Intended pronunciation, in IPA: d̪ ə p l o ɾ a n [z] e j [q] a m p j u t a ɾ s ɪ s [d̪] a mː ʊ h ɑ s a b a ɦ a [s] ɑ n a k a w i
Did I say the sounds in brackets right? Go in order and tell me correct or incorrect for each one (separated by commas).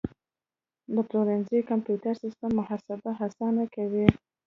correct, incorrect, incorrect, correct